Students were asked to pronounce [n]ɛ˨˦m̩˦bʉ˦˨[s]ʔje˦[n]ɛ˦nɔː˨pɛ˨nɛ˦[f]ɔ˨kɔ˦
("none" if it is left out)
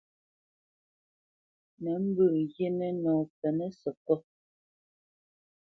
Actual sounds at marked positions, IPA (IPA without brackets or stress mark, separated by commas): n, none, n, s